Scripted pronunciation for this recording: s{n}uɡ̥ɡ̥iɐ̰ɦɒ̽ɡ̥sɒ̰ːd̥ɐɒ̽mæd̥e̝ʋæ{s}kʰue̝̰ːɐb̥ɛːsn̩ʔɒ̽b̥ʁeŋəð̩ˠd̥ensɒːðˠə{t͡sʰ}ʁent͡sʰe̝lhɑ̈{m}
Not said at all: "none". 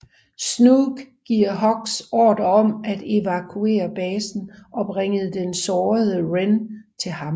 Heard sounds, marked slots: n, none, none, m

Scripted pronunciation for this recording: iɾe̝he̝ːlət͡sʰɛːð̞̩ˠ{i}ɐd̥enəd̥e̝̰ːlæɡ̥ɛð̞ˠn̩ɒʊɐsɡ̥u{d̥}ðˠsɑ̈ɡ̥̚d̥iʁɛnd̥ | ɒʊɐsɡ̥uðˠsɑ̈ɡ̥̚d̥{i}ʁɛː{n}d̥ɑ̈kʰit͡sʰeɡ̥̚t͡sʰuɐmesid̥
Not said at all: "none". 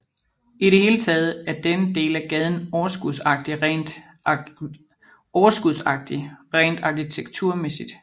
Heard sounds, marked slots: æ, none, i, n

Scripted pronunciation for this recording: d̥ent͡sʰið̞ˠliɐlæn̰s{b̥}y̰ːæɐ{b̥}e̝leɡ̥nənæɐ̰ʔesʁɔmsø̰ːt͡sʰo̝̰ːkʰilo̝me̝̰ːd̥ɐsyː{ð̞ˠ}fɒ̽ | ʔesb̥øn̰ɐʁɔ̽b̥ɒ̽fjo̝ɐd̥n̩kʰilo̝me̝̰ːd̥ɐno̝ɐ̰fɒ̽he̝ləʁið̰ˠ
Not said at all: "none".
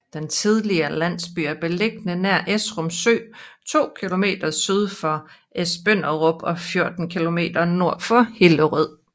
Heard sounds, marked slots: b̥, b̥, ð̞ˠ

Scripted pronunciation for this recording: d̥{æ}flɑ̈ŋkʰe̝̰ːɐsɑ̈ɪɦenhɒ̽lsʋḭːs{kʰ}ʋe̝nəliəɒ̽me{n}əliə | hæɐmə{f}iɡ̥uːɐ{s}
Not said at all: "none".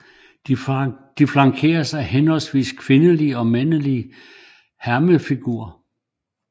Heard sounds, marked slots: i, kʰ, n, f, none

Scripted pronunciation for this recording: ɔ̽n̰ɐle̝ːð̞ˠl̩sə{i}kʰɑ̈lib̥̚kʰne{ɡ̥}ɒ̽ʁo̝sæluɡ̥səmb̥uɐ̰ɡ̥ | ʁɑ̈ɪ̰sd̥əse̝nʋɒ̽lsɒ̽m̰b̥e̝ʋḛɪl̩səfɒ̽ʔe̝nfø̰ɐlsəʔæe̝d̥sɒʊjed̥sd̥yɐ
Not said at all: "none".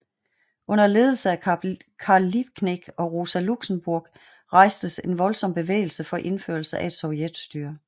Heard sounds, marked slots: æ, ɡ̥

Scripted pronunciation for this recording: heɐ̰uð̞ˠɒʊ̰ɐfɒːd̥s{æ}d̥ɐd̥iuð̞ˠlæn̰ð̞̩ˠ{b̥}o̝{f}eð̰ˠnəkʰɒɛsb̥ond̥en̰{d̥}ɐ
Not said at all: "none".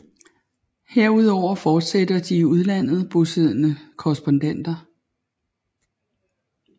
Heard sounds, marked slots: e, b̥, s, d̥

